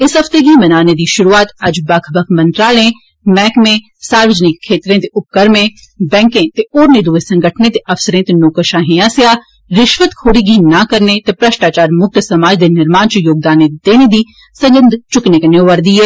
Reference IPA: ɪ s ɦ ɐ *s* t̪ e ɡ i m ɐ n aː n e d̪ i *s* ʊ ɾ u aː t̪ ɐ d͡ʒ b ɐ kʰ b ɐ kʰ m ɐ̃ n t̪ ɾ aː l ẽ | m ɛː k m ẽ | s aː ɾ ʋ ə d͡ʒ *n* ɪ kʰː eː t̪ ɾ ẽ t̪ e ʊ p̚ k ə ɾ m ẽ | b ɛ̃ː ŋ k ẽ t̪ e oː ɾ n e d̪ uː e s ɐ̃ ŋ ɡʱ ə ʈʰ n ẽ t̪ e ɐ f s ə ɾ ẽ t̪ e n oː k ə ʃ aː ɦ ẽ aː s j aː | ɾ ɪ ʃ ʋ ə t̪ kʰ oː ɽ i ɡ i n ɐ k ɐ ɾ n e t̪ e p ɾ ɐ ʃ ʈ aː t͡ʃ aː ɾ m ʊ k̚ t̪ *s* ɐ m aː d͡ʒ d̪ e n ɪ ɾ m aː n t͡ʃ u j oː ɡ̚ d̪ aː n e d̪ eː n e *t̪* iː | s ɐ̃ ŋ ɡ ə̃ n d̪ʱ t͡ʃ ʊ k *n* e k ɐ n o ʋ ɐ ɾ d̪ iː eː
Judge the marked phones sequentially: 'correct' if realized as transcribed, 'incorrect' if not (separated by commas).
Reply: incorrect, incorrect, correct, correct, incorrect, correct